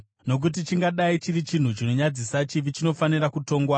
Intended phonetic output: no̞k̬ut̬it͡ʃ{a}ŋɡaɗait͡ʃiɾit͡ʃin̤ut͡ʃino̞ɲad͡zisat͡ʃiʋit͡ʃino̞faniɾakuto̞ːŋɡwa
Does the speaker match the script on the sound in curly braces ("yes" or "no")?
no